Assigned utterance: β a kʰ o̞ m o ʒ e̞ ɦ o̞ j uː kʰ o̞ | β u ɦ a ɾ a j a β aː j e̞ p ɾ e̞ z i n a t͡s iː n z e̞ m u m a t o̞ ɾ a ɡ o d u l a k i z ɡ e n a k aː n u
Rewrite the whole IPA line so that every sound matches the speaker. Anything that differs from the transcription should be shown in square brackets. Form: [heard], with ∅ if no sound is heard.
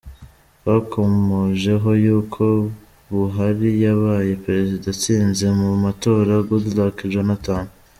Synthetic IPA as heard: β a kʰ o̞ m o ʒ e̞ ɦ o̞ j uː kʰ o̞ | β u ɦ a ɾ [i] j a β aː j e̞ p ɾ e̞ z i [d] a t͡s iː n z e̞ m u m a t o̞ ɾ a ɡ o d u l a k i [ʒ] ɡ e n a [t] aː n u